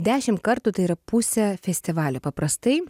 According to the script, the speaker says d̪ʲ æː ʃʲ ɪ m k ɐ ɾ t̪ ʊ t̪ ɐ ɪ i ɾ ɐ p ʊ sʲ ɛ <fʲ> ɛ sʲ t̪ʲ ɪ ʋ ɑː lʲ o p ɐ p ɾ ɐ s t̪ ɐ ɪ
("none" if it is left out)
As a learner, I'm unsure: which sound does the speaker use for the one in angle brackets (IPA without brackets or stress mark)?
fʲ